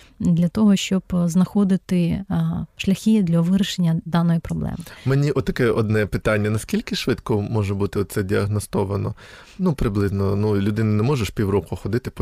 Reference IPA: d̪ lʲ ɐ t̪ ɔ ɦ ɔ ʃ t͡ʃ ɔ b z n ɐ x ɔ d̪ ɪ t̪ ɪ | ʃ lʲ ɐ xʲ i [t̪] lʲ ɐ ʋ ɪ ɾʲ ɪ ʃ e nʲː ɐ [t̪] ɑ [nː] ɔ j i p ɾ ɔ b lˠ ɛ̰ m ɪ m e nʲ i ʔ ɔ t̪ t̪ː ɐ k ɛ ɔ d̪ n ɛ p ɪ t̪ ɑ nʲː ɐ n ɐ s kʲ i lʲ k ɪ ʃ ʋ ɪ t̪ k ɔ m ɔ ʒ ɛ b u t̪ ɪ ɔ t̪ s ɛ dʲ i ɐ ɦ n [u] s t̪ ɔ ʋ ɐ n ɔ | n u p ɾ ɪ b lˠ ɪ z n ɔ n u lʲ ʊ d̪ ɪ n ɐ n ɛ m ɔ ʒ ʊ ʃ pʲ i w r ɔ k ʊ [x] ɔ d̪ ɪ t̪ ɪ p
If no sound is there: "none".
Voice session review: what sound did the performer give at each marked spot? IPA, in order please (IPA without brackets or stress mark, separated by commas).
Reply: d̪, d̪, n, ɔ, x